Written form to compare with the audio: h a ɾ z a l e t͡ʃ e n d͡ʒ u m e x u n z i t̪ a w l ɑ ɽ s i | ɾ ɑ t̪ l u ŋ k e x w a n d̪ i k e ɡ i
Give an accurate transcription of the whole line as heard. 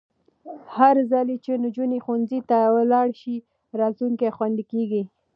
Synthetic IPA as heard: h a ɾ z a l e t͡ʃ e n d͡ʒ u n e x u n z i t̪ a w l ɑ ɽ ʃ i | ɾ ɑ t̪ l u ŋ k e x w a n d̪ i k e ɡ i

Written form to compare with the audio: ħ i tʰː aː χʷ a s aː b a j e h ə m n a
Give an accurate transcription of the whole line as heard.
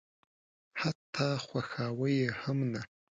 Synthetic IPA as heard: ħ a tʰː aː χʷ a x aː w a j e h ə m n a

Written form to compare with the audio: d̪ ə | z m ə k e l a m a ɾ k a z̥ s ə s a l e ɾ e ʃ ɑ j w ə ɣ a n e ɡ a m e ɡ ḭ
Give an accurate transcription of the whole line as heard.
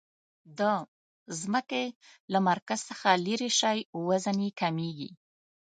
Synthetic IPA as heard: d̪ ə | z m ə k e l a m a ɾ k a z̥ s ə x a l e ɾ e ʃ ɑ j w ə z a n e k a m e ɡ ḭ

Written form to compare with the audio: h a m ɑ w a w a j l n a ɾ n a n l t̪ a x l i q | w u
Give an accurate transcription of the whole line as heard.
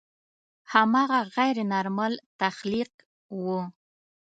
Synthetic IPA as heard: h a m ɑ ɣ a ɣ a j ɾ n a ɾ m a l t̪ a x l i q | w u

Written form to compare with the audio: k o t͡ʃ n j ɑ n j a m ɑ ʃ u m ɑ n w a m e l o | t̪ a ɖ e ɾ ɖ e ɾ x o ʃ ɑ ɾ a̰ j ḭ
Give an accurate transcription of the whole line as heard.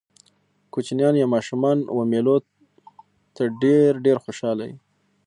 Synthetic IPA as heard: k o t͡ʃ n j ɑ n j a m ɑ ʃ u m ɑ n w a m e l o | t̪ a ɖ e ɾ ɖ e ɾ x o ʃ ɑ l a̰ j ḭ

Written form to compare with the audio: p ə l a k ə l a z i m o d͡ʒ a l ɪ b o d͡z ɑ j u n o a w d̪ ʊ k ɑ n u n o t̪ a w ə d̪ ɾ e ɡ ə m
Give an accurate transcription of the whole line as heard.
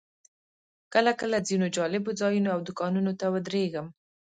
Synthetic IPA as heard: k ə l a k ə l a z i n o d͡ʒ ɑ l ɪ b o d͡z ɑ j u n o a w d̪ ʊ k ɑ n u n o t̪ a w ə d̪ ɾ e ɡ ə m

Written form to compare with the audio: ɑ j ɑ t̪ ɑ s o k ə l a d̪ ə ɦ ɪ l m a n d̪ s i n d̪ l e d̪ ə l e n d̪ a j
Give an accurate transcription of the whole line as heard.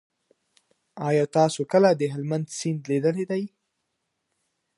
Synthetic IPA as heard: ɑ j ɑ t̪ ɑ s o k ə l a d̪ ə ɦ ɪ l m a n d̪ s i n d̪ l e d̪ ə l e d̪ a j

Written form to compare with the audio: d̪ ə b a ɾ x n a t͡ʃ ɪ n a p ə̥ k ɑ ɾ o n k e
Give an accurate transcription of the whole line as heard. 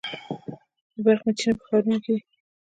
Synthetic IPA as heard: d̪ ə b a ɾ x m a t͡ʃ i n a p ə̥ x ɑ ɾ u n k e

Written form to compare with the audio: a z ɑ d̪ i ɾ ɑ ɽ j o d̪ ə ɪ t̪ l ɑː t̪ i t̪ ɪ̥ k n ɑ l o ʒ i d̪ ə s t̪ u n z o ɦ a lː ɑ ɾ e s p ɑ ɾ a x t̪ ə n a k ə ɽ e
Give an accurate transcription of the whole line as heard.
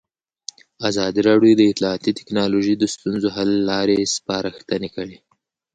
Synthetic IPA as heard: a z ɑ d̪ i ɾ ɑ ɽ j o d̪ ə ɪ t̪ l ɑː t̪ i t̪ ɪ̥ k n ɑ l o ʒ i d̪ ə s t̪ u n z o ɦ a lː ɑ ɾ e s p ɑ ɾ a x t̪ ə n e k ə ɽ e

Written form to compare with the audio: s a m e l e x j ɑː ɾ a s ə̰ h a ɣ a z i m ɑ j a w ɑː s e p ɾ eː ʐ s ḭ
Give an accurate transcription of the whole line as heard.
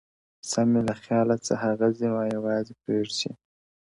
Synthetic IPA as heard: s a m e l a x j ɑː l a t͡s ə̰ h a ɣ a z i m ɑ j a w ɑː z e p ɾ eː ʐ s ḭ

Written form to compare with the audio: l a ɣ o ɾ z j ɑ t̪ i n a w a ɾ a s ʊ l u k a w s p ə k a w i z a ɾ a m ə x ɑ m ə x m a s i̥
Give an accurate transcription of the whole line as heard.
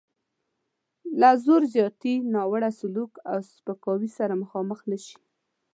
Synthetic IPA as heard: l a z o ɾ z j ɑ t̪ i n ɑ w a ɽ a s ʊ l u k a w s p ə k ɑ w i s a ɾ a m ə x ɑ m ə x n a ʃ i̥

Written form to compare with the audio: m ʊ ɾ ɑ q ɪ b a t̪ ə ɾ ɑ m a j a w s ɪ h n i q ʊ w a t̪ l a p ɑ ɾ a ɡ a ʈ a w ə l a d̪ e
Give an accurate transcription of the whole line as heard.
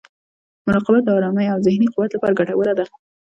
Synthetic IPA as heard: m ʊ ɾ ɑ q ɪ b a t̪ ɑ ɾ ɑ m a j a w z ɪ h n i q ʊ w a t̪ l a p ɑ ɾ a ɡ a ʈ a w ə l a d̪ a

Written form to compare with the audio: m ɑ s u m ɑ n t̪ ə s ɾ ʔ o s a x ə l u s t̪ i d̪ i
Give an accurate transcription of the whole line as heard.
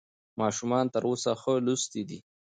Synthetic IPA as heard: m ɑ ʃ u m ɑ n t̪ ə ɾ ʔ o s a x ə l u s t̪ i d̪ i

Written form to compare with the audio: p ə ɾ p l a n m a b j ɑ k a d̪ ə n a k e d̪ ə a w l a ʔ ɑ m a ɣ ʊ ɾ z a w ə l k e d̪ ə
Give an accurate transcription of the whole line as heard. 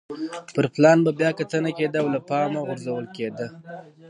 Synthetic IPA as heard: p ə ɾ p l ɑ n b a b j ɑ k a t̪ ə n a k e d̪ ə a w l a p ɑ m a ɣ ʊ ɾ z a w ə l k e d̪ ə

